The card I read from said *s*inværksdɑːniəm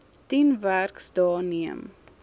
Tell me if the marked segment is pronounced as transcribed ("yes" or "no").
no